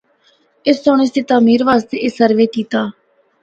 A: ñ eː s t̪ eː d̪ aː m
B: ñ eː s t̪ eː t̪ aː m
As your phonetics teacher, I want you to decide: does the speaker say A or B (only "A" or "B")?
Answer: B